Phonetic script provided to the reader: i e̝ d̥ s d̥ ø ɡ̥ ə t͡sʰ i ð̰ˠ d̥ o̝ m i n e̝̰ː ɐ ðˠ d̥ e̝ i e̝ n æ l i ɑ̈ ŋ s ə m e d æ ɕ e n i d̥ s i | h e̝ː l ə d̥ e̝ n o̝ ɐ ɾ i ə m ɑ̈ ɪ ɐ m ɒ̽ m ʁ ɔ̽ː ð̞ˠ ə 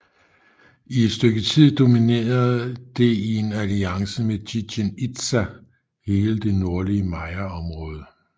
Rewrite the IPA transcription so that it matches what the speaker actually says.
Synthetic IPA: i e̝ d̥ s d̥ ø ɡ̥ ə t͡sʰ i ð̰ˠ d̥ o̝ m i n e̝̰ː ɐ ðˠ d̥ e̝ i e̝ n æ l i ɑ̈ ŋ s ə m e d i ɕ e n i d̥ s æ | h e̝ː l ə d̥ e̝ n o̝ ɐ l i ə m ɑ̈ ɪ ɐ ɒ̽ m ʁ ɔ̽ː ð̞ˠ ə